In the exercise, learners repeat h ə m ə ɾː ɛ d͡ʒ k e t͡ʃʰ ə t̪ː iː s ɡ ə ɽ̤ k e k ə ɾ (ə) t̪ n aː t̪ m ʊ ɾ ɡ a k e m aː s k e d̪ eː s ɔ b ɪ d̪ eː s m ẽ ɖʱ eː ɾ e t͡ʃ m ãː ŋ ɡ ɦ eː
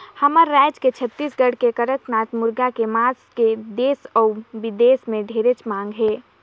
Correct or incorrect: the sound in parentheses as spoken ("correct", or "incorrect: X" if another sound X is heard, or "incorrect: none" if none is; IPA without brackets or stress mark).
correct